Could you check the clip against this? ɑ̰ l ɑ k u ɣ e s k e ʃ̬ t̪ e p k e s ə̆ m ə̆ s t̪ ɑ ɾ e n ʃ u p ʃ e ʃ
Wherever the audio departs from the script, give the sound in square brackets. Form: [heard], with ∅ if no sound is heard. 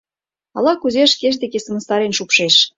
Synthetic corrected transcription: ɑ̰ l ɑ k u [z] e [ʃ] k e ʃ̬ [d̪] e [∅] k e s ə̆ m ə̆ s t̪ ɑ ɾ e n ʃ u p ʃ e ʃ